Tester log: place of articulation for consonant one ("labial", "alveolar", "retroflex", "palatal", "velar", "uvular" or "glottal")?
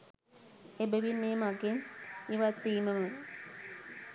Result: labial